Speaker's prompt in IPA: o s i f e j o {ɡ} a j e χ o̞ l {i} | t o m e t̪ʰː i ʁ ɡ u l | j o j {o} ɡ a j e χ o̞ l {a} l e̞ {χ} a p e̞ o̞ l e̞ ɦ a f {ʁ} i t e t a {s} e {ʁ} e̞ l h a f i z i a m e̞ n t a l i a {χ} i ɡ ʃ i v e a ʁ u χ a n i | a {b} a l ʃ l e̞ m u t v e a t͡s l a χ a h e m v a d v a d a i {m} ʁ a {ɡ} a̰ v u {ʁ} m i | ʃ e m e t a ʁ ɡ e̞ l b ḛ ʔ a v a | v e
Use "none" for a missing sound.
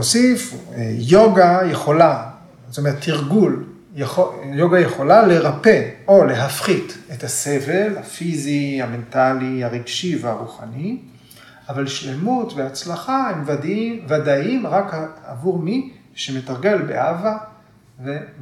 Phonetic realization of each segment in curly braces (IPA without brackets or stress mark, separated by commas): ɡ, a, o, a, ʁ, χ, s, v, ʁ, v, m, k, ʁ